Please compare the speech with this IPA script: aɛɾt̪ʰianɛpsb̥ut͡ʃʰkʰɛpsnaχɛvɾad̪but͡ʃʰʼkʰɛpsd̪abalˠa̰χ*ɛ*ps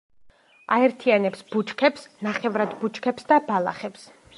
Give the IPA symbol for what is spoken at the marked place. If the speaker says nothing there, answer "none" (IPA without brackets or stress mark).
ɛ